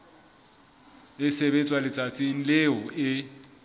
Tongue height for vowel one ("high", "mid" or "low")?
high